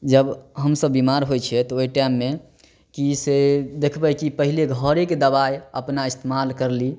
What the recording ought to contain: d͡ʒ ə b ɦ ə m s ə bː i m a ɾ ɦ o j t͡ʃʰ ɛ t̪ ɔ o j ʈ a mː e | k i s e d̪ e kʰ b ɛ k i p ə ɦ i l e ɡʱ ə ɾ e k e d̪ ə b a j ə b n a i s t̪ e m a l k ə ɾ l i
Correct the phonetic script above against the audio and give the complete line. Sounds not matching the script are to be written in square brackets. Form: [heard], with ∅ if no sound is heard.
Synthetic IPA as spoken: d͡ʒ ə b ɦ ə m s ə bː i m a ɾ ɦ o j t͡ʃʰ ɛ t̪ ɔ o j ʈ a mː e | k i s e d̪ e kʰ b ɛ k i p ə ɦ i l e ɡʱ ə ɾ e k e d̪ ə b a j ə [p] n a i s t̪ e m a l k ə ɾ l i